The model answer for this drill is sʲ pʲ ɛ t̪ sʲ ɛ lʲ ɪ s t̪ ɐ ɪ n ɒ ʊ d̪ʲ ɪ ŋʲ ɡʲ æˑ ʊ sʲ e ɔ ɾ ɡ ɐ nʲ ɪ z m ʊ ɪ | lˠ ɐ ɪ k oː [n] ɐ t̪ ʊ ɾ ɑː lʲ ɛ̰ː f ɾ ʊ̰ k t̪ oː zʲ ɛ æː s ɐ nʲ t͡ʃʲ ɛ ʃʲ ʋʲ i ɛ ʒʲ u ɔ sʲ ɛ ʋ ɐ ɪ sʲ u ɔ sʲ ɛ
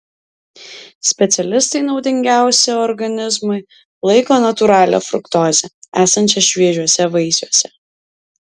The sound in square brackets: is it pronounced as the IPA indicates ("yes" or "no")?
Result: yes